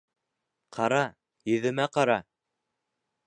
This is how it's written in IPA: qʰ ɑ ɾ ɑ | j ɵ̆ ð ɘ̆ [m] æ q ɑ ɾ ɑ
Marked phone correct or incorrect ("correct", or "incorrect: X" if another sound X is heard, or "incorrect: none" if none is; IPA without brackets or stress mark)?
correct